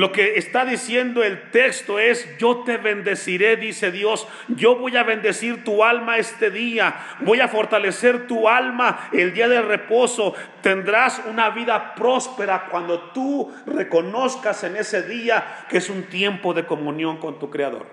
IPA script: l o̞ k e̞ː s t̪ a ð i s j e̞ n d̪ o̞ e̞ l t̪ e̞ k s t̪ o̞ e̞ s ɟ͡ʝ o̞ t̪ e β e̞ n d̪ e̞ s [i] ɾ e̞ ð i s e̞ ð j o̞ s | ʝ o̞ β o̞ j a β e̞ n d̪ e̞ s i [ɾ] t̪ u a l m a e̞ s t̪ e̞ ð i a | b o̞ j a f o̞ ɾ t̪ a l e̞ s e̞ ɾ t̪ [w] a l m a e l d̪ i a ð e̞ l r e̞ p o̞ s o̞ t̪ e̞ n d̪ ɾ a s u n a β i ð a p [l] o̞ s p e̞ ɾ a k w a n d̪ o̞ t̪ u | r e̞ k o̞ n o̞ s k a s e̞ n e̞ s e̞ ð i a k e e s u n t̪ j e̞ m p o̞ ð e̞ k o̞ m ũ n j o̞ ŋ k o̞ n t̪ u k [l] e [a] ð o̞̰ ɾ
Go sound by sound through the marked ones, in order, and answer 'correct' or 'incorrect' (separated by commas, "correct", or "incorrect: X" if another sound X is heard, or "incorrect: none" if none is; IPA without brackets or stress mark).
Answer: correct, correct, incorrect: u, incorrect: ɾ, incorrect: ɾ, correct